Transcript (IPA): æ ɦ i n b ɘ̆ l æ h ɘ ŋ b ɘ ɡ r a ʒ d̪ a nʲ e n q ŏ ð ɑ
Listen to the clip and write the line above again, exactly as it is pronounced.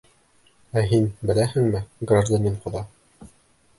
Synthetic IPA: æ ɦ i n b ɘ̆ l æ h ɘ ŋ m ɘ ɡ r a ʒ d̪ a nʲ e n q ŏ ð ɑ